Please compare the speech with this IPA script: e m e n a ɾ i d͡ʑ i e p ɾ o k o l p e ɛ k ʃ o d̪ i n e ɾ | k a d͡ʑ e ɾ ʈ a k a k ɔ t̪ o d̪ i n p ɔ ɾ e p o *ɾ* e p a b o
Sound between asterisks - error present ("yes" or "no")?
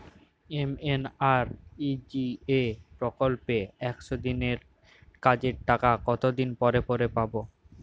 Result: no